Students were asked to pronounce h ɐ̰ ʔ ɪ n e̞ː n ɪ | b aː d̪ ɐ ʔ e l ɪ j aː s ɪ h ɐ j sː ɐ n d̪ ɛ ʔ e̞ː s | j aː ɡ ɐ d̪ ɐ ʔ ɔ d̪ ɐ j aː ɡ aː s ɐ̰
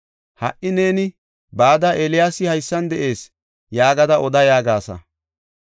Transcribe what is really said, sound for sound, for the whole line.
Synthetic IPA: h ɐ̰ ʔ ɪ n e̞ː n ɪ | b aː d̪ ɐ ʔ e l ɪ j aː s ɪ h ɐ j sː ɐ n d̪ ɛ ʔ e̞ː s | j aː ɡ ɐ d̪ ɐ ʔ ɔ d̪ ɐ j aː ɡ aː s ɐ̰